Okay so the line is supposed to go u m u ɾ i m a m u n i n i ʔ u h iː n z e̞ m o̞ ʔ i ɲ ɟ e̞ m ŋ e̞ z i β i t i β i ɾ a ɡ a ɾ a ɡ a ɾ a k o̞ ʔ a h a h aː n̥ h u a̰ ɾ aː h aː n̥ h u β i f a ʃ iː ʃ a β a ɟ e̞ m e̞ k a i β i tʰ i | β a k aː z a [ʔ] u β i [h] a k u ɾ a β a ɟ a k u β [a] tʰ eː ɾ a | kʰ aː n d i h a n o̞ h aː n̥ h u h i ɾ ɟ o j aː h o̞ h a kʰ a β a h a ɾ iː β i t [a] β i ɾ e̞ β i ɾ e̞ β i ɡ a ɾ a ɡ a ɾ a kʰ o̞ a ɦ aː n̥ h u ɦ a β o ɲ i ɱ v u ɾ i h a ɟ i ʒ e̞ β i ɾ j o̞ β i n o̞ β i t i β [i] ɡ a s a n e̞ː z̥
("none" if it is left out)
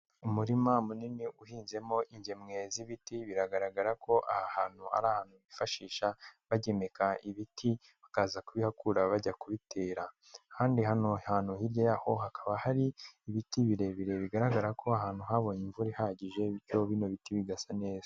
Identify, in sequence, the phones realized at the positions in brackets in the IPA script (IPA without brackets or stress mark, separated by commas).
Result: k, h, i, i, i